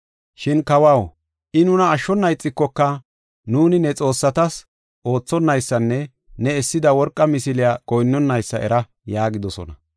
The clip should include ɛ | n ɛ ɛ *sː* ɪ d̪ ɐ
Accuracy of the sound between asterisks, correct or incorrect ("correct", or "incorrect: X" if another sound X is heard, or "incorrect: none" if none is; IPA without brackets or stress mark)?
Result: correct